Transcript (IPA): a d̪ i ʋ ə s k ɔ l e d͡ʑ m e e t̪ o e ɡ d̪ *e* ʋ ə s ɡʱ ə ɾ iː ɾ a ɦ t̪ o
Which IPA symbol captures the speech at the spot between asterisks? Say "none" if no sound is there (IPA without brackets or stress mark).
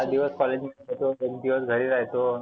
i